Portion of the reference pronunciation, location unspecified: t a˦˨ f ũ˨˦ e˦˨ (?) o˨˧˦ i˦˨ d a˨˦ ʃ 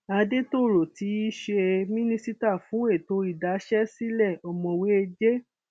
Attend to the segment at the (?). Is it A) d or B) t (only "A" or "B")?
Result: B